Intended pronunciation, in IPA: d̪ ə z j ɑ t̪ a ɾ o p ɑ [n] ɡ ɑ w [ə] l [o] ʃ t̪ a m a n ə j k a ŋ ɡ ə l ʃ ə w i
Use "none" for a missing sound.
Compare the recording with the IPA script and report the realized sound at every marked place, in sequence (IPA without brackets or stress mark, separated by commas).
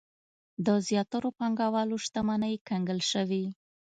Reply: ŋ, ɑ, o